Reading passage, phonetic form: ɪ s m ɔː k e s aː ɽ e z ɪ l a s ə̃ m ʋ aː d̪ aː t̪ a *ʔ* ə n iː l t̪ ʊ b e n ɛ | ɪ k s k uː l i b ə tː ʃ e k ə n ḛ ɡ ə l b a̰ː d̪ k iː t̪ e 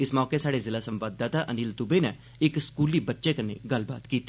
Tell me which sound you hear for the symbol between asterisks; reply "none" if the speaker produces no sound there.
ʔ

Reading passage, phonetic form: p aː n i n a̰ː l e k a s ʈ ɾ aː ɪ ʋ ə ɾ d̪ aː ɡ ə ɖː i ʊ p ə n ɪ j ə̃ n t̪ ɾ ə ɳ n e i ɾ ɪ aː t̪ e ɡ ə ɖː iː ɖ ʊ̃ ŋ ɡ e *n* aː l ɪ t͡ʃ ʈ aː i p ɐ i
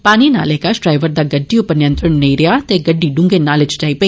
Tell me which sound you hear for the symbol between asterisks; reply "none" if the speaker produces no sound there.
n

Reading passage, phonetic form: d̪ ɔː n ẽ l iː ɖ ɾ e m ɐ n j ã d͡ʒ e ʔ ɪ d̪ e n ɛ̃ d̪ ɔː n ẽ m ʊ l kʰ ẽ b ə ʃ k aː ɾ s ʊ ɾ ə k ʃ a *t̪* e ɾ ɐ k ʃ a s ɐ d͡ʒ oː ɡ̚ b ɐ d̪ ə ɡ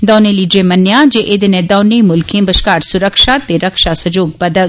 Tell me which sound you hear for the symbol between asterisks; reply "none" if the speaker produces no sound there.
t̪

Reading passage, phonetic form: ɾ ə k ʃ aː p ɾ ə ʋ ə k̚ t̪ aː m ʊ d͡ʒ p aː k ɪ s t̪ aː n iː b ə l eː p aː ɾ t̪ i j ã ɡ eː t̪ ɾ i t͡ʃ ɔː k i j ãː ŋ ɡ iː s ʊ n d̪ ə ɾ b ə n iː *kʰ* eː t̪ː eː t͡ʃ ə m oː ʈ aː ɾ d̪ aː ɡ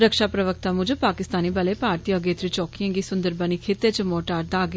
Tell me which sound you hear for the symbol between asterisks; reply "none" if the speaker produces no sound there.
kʰ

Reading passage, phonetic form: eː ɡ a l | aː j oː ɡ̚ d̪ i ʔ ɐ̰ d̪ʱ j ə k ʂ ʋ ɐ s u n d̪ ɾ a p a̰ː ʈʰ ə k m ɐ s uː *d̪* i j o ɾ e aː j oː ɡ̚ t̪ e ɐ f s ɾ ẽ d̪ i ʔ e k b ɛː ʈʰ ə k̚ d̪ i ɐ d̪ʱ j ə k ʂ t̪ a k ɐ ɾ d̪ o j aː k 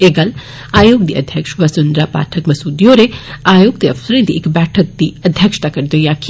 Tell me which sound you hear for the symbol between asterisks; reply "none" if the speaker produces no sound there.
d̪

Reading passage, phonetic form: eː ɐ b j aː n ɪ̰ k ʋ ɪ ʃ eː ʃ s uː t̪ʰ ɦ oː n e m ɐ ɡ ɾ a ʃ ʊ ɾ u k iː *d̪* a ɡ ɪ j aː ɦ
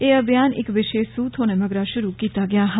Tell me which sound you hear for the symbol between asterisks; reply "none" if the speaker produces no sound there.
t̪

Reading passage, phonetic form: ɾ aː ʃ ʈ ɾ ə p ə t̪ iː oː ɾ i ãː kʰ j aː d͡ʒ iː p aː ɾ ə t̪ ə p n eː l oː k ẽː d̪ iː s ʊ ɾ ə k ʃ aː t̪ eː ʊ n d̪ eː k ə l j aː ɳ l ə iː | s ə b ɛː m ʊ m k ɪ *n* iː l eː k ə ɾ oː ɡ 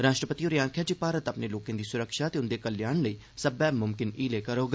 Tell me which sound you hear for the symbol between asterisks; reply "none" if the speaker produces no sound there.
n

